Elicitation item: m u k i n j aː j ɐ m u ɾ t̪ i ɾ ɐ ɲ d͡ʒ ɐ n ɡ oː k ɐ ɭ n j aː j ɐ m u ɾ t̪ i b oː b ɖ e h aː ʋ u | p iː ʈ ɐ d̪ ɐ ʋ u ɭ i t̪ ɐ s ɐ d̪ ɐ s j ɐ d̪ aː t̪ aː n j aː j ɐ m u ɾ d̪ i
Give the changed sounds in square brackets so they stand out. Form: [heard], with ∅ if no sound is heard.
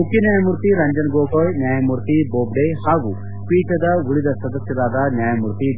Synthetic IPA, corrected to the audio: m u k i n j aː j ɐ m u ɾ t̪ i ɾ ɐ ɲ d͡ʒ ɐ n ɡ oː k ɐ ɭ n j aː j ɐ m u ɾ t̪ i b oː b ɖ e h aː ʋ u | p iː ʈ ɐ d̪ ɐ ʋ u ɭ i [d̪] ɐ s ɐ d̪ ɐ s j ɐ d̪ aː [d̪] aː n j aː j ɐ m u ɾ [t̪] i